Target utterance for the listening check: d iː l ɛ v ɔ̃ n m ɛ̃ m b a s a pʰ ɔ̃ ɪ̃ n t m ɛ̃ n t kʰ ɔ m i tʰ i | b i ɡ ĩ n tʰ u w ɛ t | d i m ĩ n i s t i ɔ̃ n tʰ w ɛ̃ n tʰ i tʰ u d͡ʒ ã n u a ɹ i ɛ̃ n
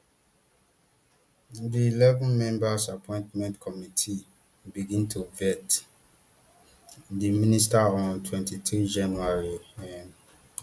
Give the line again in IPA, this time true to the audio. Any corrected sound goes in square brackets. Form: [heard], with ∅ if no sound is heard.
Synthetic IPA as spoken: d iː l ɛ v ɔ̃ n m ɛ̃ m b a s a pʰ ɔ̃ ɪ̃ n t m ɛ̃ n t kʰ ɔ m i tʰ i | b i ɡ ĩ n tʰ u [v] ɛ t | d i m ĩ n i s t [a] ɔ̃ n tʰ w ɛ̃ n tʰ i tʰ u d͡ʒ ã n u a ɹ i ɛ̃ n